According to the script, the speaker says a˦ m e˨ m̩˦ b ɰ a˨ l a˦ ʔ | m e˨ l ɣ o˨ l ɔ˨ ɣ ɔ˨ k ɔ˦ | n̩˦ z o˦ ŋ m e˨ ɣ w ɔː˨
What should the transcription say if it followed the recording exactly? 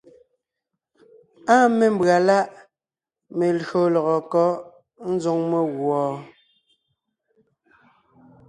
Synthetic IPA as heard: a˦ m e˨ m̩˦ b ɰ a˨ l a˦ ʔ | m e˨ l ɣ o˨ l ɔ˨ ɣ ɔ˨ k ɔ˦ | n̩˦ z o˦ ŋ m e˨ ɣ w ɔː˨